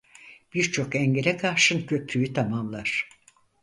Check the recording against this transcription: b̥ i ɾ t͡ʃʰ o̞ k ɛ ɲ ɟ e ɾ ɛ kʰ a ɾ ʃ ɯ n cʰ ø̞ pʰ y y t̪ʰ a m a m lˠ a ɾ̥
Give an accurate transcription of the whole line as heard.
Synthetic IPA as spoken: b̥ i ɾ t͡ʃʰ o̞ k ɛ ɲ ɟ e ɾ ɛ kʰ a ɾ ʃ ɯ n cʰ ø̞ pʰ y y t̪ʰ a m a m lˠ a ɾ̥